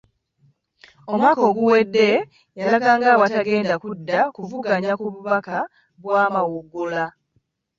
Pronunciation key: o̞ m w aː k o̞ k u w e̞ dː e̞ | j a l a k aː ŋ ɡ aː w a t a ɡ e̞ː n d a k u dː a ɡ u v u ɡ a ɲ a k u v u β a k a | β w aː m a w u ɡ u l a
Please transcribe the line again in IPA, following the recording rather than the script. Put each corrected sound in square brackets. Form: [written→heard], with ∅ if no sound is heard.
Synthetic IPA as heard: o̞ m w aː k o̞ [k→ɡ] u w e̞ dː e̞ | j a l a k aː ŋ ɡ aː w a t a ɡ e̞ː n d a k u dː a [ɡ→k] u v u ɡ a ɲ a k u [v→β] u β a k a | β w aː m a w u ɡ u l a